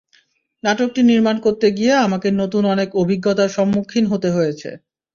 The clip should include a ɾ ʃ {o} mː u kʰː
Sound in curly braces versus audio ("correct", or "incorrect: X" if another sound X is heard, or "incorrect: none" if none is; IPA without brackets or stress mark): incorrect: ɔ